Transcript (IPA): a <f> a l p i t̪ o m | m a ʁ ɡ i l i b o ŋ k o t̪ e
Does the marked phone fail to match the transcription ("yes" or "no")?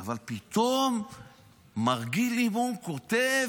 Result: yes